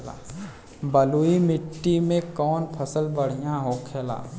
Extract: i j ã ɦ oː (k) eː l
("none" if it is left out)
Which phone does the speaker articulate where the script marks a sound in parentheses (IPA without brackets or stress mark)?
kʰ